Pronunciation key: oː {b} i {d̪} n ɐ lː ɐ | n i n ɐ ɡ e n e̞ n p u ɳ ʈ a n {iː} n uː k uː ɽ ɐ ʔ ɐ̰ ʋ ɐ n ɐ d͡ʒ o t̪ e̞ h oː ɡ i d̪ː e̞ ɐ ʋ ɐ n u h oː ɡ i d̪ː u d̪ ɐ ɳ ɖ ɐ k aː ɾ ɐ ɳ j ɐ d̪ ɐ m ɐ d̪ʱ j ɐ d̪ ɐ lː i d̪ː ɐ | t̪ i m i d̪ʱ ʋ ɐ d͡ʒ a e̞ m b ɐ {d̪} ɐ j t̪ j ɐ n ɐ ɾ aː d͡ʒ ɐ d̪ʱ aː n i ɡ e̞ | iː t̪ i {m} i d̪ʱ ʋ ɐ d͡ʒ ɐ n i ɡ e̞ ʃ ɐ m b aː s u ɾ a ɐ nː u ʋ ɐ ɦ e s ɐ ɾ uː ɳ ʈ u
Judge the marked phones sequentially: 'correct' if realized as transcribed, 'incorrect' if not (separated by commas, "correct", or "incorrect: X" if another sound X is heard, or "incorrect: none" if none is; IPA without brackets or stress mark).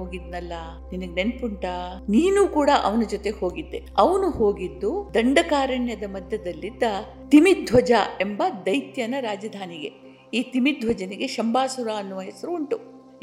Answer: incorrect: ɡ, correct, correct, correct, correct